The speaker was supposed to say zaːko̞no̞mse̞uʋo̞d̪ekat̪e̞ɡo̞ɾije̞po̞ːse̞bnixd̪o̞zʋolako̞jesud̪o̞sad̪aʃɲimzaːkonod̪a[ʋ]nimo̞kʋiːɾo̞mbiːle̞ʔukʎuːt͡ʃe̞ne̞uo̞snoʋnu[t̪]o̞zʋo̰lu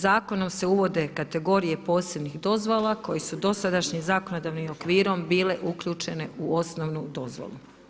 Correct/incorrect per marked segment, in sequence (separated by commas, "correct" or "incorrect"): correct, incorrect